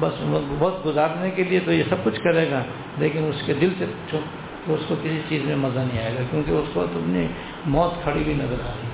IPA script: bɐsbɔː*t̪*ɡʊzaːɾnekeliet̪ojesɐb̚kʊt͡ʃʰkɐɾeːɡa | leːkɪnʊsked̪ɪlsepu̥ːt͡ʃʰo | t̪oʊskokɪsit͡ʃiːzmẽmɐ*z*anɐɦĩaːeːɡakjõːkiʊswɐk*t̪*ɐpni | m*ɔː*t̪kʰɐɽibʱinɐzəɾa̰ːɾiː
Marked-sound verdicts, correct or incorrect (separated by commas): correct, correct, correct, correct